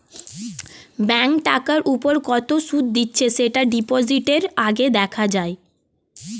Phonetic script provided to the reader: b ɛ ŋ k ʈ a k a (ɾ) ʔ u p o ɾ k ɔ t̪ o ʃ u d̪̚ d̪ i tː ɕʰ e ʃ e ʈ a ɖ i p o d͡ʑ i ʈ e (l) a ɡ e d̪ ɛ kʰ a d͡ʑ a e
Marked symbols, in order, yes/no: yes, no

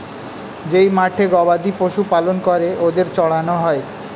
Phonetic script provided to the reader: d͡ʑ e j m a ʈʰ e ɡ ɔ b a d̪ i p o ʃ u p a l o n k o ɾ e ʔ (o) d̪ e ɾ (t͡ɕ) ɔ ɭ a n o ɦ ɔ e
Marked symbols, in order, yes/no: yes, yes

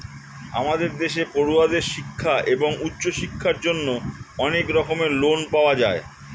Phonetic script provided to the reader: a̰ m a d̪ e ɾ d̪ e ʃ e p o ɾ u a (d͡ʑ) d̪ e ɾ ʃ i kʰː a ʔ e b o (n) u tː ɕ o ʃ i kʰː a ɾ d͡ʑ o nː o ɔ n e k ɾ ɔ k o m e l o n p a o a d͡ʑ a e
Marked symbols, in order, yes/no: no, no

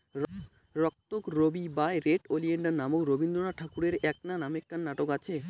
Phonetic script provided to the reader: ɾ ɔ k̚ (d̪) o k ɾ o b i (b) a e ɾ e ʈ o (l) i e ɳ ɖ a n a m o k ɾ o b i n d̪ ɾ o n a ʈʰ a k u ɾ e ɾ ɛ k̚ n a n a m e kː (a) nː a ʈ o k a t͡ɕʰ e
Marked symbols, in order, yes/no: no, yes, yes, yes

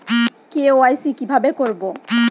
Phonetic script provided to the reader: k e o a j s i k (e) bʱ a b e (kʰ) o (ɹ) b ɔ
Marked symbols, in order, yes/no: no, no, yes

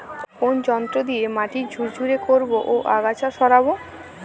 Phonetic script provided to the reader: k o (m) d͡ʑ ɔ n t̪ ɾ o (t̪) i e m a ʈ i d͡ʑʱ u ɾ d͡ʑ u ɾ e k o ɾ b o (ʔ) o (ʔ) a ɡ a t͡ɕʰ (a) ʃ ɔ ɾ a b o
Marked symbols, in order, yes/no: no, no, yes, yes, yes

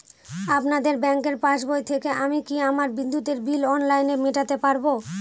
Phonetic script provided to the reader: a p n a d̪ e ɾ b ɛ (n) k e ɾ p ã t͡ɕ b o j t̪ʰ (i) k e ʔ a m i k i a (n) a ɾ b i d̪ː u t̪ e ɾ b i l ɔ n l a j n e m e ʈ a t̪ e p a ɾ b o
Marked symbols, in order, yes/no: no, no, no

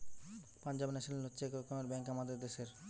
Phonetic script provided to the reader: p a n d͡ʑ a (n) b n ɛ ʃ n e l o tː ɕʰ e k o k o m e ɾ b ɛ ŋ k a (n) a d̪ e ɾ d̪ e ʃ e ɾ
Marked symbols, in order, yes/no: no, no

